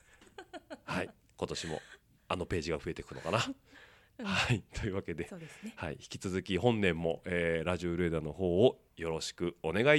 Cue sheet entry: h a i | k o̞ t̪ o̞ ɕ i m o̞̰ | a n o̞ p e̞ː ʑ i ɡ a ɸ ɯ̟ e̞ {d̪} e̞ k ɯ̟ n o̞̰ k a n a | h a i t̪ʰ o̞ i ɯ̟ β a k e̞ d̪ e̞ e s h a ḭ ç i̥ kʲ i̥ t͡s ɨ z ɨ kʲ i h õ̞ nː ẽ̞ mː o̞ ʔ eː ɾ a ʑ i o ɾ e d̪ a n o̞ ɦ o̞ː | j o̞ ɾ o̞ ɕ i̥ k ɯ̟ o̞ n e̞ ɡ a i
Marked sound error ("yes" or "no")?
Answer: yes